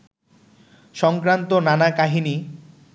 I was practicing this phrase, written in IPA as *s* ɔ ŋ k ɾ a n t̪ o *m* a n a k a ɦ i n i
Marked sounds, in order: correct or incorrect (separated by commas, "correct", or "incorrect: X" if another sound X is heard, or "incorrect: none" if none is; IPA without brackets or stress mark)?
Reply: incorrect: ʃ, incorrect: n